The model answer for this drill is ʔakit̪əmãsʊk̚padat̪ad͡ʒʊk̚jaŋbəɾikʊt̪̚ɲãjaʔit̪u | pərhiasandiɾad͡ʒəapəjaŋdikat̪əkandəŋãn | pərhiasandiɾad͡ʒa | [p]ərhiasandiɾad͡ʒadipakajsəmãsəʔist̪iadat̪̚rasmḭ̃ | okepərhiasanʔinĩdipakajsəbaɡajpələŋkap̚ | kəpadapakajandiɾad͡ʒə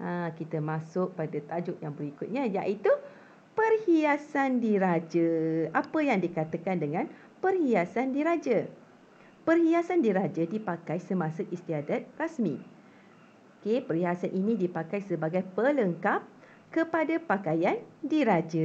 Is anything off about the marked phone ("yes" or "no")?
no